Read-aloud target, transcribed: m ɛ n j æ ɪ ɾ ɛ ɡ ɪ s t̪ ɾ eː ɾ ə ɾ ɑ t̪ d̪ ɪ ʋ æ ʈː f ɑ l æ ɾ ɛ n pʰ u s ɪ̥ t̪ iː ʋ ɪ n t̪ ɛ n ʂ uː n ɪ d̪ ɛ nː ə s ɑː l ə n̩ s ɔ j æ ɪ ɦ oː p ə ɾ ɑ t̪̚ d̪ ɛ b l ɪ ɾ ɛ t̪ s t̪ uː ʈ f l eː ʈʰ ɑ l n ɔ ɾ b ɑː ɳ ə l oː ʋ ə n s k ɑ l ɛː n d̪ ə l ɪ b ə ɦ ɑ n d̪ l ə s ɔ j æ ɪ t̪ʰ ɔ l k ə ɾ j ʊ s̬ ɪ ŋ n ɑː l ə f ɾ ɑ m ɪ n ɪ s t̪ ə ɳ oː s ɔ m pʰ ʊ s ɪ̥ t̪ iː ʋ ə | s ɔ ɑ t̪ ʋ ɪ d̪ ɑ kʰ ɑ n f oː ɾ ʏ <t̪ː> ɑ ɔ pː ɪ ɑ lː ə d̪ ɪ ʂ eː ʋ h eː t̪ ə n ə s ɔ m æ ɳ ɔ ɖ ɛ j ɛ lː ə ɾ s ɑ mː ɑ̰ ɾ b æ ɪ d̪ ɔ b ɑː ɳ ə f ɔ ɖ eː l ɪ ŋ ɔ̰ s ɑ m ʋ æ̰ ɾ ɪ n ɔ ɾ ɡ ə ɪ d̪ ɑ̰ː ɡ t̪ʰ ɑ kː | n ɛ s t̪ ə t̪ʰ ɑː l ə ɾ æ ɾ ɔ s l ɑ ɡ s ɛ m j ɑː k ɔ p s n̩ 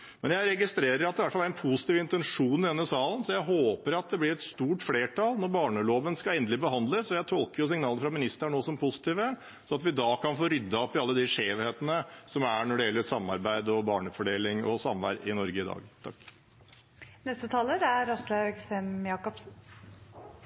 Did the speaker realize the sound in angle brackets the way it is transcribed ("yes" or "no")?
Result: no